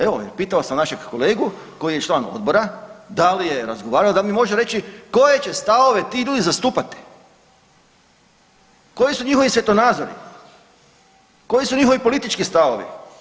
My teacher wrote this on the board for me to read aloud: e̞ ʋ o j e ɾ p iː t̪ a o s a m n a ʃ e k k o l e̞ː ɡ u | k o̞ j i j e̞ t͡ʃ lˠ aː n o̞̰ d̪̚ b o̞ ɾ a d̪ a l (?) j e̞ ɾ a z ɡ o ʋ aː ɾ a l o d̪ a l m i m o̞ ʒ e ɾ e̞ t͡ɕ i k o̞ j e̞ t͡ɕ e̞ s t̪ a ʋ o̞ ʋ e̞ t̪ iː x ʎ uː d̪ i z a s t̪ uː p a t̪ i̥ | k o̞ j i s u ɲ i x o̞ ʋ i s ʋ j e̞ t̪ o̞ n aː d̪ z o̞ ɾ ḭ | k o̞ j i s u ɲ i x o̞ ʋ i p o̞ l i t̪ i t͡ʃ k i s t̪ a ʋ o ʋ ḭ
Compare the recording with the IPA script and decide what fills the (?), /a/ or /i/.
i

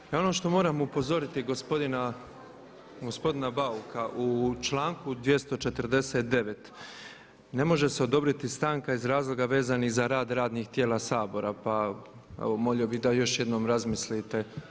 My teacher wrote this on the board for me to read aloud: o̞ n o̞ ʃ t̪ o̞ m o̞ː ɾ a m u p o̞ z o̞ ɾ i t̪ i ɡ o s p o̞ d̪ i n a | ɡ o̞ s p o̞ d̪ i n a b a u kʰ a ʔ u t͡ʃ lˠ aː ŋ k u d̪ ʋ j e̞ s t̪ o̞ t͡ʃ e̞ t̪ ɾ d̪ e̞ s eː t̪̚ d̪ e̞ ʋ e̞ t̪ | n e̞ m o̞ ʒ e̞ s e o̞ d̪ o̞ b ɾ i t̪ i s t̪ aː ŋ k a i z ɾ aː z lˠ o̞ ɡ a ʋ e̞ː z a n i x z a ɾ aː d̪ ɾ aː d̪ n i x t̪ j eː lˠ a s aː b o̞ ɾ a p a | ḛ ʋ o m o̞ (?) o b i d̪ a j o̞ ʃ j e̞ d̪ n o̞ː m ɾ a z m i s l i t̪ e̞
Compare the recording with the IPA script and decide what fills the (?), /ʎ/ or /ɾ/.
ʎ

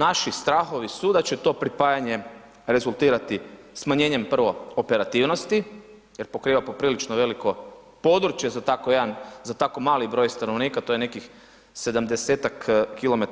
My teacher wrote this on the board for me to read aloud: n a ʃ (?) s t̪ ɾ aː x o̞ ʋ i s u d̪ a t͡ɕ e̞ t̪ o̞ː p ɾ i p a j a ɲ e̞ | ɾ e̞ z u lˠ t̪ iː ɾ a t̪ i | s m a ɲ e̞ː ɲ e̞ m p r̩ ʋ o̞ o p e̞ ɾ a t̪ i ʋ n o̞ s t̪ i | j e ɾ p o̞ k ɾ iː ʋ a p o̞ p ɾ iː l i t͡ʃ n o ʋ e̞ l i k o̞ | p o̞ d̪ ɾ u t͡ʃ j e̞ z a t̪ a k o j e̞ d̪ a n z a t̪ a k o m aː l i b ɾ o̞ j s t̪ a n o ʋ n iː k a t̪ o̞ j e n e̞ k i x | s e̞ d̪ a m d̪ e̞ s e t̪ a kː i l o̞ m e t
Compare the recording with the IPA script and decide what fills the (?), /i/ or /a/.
i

